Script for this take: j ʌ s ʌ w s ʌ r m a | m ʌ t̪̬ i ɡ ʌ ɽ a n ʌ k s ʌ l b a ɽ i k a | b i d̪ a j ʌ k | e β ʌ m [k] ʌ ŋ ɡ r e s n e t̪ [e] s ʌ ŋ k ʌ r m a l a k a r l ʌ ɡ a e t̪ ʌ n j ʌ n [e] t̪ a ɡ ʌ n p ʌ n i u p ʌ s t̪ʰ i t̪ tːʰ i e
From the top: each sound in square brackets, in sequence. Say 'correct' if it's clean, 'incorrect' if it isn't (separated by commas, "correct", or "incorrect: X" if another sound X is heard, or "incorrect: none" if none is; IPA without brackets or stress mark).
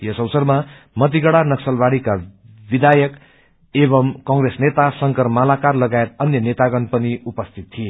correct, incorrect: a, correct